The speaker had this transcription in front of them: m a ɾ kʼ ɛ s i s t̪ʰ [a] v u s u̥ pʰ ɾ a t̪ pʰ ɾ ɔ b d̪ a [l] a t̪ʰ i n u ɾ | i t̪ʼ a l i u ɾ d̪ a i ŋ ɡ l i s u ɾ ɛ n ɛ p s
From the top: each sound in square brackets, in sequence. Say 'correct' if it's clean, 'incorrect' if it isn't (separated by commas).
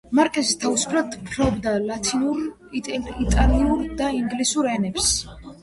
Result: correct, correct